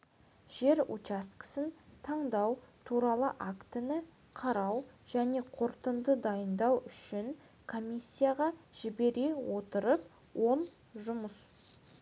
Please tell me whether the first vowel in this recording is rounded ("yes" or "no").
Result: no